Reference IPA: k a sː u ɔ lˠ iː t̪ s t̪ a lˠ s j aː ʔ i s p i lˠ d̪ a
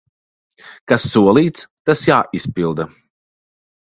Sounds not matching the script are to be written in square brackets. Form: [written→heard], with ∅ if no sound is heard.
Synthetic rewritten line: k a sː u ɔ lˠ iː t̪ s t̪ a [lˠ→∅] s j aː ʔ i s p i lˠ d̪ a